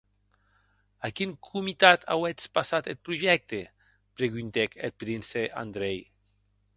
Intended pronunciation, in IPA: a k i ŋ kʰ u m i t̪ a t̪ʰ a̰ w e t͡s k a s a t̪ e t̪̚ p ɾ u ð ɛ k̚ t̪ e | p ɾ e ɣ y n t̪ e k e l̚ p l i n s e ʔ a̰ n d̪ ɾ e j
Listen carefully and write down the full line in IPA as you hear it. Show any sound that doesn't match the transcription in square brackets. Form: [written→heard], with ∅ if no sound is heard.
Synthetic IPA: a k i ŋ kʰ u m i t̪ a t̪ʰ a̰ w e t͡s [k→p] a s a t̪ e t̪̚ p ɾ u [ð→ʒ] ɛ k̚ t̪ e | p ɾ e ɣ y n t̪ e k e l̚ p [l→ɾ] i n s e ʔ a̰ n d̪ ɾ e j

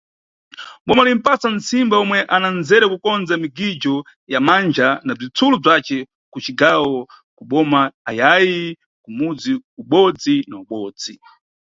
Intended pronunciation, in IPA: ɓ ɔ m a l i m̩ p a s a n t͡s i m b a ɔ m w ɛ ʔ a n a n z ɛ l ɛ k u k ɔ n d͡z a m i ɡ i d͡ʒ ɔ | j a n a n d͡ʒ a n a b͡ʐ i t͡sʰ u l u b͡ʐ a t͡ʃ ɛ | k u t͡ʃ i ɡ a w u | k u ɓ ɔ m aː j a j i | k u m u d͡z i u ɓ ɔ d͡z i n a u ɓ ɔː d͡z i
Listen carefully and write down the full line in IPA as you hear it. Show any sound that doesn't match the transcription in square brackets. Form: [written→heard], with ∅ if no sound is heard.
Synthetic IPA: ɓ ɔ m a l i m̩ p a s a n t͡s i m b a ɔ m w ɛ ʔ a n a n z ɛ [l→ɾ] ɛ k u k ɔ n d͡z a m i ɡ i d͡ʒ ɔ | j a [n→m] a n d͡ʒ a n a b͡ʐ i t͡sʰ u l u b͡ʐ a t͡ʃ ɛ | k u t͡ʃ i ɡ a w [u→ɔ] | k u ɓ ɔ m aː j a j i | k u m u d͡z i u ɓ ɔ d͡z i n a u ɓ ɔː d͡z i

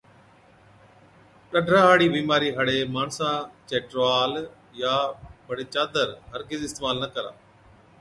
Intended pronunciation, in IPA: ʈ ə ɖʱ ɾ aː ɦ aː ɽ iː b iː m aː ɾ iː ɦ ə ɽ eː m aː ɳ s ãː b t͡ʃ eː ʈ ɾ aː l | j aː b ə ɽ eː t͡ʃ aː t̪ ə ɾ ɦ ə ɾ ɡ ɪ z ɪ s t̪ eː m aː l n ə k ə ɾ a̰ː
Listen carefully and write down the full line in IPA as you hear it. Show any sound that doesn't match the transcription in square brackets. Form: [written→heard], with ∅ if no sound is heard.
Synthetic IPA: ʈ ə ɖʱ ɾ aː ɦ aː ɽ iː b iː m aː ɾ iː ɦ ə ɽ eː m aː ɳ s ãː [b→∅] t͡ʃ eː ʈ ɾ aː l | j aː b ə ɽ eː t͡ʃ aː [t̪→d̪] ə ɾ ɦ ə ɾ ɡ ɪ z ɪ s t̪ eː m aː l n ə k ə ɾ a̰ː

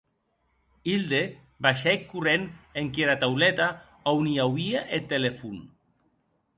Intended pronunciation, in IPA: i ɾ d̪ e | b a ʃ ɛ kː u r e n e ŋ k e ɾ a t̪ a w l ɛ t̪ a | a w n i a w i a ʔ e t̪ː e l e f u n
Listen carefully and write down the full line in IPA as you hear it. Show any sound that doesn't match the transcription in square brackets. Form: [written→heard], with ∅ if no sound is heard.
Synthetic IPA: i [ɾ→l] d̪ e | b a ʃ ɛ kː u r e n e ŋ k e ɾ a t̪ a w l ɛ t̪ a | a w n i a w i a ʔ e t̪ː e l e f u n

